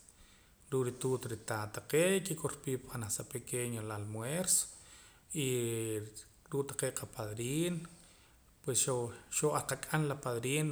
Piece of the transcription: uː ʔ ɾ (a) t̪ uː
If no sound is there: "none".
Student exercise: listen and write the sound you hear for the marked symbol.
i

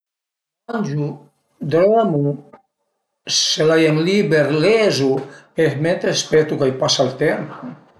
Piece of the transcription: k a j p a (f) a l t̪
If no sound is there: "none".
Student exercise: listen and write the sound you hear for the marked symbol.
s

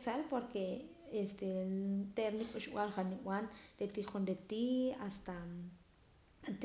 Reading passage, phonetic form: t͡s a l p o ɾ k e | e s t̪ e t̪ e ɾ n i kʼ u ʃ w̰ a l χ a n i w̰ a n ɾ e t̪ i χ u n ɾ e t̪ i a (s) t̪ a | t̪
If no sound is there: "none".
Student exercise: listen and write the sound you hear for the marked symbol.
s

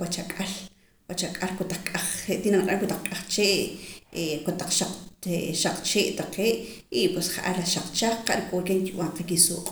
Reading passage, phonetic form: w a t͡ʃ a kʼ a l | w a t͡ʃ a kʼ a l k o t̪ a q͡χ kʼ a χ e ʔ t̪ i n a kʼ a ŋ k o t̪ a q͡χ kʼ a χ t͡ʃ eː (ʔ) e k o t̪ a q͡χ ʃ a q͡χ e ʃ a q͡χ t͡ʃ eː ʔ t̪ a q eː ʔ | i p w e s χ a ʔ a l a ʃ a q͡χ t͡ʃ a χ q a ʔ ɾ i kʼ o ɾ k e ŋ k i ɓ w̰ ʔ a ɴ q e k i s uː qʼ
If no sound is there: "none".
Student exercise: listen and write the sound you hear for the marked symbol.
ʔ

